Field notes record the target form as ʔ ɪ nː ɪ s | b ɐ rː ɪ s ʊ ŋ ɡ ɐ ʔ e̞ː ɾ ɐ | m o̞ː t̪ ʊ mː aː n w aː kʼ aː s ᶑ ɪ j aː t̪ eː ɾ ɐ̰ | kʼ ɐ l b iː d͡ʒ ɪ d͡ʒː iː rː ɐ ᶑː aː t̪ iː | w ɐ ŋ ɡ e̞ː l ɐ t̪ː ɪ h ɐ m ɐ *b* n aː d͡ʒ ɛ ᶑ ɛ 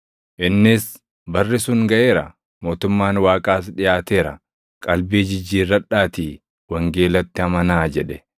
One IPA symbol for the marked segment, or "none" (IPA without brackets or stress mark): none